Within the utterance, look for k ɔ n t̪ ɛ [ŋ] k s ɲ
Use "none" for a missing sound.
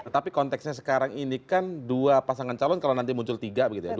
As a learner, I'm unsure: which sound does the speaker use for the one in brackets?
none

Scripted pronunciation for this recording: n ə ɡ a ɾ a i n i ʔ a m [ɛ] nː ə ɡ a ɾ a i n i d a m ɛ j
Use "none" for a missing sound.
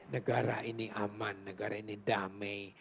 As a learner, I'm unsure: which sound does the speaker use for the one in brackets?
a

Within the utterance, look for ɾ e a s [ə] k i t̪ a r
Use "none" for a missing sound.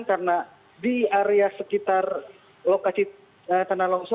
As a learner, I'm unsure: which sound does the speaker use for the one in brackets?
ə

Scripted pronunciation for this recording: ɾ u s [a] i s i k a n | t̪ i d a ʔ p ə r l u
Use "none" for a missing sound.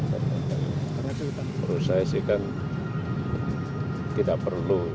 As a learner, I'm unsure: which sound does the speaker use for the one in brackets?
a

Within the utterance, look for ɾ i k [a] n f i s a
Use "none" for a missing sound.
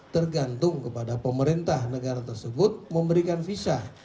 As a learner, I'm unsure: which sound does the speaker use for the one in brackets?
a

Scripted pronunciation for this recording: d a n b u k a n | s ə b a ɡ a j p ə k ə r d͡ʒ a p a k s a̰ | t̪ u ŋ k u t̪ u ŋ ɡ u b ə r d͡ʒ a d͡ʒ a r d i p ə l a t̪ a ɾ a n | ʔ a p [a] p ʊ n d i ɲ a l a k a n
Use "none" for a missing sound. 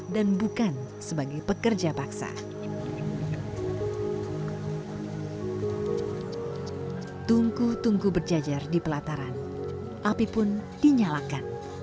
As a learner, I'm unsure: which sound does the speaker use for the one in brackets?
i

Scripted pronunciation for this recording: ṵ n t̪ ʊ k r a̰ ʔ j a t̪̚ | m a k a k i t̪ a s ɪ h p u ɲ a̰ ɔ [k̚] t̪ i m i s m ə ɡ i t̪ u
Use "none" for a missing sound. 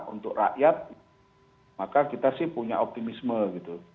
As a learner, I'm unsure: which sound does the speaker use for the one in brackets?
p̚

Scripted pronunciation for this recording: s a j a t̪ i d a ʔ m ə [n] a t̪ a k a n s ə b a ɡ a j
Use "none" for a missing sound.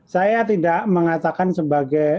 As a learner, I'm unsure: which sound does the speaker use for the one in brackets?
ŋ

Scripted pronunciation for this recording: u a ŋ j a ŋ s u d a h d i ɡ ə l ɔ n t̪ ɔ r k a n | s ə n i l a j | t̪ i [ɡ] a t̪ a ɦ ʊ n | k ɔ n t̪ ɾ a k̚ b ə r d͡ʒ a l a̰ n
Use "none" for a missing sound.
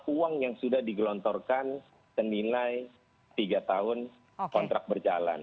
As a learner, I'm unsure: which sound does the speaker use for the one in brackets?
ɡ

